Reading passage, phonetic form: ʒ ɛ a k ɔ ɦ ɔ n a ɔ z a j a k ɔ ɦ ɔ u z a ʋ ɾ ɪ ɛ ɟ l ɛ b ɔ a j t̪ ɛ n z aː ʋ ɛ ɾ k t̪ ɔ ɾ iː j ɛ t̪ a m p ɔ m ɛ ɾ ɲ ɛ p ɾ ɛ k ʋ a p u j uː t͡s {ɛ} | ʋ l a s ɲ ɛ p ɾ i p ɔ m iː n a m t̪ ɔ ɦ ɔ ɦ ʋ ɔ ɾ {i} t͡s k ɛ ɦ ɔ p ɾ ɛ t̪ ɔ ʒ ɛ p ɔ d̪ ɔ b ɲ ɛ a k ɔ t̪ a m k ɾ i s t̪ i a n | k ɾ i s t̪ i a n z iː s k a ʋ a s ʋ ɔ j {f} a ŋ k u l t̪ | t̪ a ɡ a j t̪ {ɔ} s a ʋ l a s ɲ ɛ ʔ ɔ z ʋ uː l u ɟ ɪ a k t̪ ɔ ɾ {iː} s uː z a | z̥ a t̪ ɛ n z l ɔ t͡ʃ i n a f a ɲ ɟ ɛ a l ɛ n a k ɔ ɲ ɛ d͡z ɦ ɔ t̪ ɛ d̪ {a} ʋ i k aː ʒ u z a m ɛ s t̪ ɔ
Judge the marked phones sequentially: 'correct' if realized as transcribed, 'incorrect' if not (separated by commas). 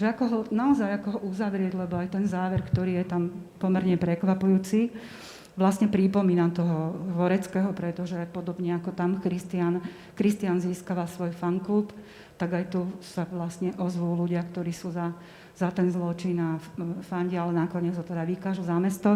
incorrect, incorrect, correct, incorrect, correct, correct